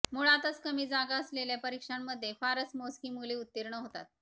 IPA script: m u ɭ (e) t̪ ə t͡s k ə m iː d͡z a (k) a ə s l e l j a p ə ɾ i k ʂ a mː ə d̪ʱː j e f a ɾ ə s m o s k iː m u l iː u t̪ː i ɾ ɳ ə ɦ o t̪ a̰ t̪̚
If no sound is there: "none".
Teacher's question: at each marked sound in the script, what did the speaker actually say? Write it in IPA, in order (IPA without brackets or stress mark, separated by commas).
a, ɡ